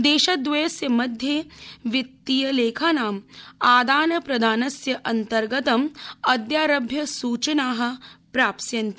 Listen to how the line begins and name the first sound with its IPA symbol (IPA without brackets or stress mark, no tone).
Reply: d̪